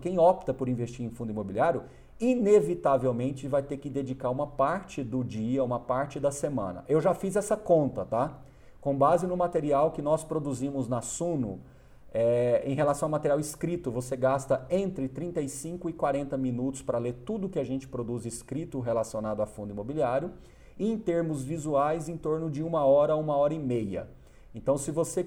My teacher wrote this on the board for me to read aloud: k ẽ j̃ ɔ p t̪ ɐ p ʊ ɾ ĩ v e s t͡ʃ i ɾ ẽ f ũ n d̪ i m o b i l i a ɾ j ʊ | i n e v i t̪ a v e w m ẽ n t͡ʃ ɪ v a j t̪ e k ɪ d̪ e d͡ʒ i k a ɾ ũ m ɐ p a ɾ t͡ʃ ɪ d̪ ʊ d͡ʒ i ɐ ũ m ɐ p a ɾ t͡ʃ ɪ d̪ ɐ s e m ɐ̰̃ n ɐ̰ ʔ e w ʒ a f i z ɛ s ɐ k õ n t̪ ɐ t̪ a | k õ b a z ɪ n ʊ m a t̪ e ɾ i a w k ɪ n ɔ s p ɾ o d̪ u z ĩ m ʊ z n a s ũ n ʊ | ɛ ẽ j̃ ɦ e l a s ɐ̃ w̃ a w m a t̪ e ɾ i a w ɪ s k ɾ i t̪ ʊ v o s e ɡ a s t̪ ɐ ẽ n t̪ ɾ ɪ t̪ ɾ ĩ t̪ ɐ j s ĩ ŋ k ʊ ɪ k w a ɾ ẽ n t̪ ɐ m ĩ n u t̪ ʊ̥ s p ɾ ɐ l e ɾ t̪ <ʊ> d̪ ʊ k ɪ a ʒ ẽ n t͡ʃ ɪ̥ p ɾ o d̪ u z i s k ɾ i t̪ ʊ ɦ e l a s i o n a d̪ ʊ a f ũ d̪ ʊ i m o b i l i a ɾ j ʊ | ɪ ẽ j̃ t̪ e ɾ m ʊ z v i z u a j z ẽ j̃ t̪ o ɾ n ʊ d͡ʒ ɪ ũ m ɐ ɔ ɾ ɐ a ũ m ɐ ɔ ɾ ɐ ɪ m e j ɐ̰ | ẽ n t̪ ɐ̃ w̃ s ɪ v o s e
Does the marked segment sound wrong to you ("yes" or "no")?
yes